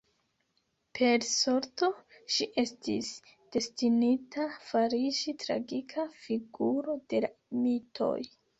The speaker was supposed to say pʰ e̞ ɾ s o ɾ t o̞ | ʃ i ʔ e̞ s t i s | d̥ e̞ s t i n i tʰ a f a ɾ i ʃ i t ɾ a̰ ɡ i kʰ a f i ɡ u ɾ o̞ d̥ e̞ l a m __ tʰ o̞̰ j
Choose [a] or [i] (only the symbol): i